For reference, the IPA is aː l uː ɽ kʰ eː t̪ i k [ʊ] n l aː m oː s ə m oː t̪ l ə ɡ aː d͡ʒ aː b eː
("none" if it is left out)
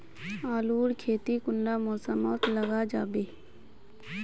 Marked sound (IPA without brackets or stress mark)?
ʊ